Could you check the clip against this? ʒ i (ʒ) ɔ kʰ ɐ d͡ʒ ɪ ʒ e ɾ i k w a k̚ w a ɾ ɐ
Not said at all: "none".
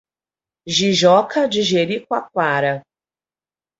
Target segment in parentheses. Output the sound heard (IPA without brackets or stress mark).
ʒ